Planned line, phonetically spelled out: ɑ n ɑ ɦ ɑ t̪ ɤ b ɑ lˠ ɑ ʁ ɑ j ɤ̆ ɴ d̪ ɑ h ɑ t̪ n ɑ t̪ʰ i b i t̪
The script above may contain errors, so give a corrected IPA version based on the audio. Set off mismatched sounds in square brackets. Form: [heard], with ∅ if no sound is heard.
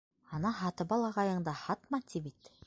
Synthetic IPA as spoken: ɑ n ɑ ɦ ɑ t̪ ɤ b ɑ lˠ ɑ ʁ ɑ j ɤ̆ ɴ d̪ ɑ h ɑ t̪ [m] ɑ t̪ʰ i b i t̪